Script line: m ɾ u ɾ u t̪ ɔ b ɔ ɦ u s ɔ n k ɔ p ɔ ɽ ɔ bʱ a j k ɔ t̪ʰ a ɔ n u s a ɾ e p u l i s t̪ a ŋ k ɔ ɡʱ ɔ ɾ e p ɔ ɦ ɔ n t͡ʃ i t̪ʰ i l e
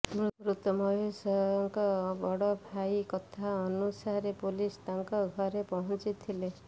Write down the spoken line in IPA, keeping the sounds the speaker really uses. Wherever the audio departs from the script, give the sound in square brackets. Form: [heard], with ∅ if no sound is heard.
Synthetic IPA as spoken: m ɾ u ɾ u t̪ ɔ [m] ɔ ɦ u s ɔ [ŋ] k ɔ [b] ɔ ɽ ɔ bʱ a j k ɔ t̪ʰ a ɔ n u s a ɾ e p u l i s t̪ a ŋ k ɔ ɡʱ ɔ ɾ e p ɔ ɦ ɔ n t͡ʃ i t̪ʰ i l e